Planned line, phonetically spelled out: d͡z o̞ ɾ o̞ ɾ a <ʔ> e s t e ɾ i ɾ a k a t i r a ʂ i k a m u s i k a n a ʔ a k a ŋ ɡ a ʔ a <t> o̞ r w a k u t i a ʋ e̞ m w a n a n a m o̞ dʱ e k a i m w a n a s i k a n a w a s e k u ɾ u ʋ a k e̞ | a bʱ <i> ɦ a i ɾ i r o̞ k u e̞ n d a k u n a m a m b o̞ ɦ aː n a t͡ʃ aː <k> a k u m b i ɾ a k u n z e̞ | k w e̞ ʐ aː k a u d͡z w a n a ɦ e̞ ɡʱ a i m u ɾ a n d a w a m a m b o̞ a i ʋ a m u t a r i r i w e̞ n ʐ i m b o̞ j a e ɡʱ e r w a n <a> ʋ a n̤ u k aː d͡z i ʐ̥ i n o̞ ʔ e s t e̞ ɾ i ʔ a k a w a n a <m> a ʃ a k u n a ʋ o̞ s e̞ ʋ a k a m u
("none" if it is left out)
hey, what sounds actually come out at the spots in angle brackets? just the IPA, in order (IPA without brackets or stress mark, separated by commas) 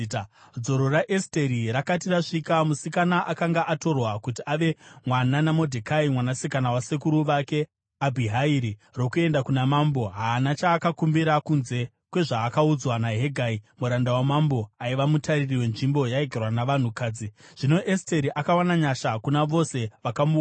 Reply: ʔ, t, i, k, a, ɲ